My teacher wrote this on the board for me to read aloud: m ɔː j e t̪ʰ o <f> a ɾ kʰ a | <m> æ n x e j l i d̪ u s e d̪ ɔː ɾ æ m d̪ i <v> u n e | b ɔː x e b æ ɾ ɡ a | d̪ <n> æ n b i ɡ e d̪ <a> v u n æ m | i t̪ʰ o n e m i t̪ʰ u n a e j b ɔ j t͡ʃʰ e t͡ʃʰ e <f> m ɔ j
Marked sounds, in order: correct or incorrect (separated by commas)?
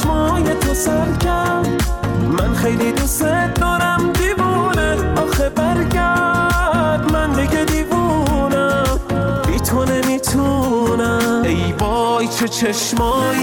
incorrect, correct, correct, incorrect, incorrect, incorrect